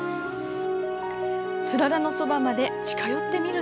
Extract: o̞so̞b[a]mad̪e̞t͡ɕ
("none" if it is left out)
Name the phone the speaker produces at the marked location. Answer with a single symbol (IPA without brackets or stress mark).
a